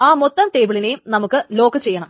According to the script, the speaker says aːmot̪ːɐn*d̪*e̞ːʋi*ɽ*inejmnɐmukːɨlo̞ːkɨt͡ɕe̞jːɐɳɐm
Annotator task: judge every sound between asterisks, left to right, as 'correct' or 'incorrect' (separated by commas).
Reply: incorrect, incorrect